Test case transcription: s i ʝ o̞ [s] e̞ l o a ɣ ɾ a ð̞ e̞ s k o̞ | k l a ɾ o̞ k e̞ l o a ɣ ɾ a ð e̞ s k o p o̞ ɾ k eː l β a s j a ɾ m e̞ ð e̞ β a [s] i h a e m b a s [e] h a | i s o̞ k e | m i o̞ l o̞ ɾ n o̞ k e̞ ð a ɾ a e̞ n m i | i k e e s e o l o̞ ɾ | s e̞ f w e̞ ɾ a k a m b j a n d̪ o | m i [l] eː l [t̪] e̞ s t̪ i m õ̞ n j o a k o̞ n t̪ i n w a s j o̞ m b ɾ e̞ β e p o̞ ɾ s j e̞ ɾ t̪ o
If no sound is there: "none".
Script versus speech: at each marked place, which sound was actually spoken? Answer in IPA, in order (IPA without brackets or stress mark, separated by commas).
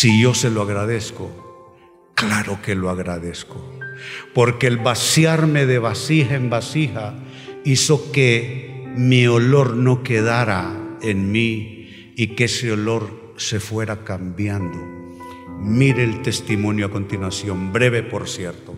s, s, i, ɾ, t̪